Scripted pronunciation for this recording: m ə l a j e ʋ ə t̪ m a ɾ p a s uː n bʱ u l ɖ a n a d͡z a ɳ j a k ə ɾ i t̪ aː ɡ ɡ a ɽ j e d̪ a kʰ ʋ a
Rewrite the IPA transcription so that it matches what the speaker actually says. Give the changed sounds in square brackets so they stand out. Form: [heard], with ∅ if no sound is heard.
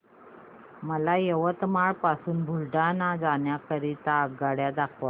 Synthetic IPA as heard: m ə l a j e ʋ ə t̪ m a [ɭ] p a s uː n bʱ u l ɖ a n a d͡z a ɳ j a k ə ɾ i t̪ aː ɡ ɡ a ɽ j [a] d̪ a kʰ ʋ a